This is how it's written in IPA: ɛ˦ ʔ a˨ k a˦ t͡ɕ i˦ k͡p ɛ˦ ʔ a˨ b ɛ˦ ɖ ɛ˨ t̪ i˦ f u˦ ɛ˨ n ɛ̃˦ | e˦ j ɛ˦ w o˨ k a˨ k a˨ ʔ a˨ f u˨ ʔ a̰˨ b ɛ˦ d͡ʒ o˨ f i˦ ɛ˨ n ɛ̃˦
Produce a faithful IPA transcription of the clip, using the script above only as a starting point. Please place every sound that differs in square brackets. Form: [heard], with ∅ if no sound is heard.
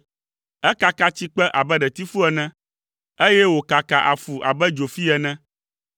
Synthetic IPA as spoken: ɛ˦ [k] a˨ k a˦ t͡ɕ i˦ k͡p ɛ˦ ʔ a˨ b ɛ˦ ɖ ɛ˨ t̪ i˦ f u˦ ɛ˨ n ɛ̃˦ | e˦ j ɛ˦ w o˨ k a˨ k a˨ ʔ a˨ f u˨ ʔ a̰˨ b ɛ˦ d͡ʒ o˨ f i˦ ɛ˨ n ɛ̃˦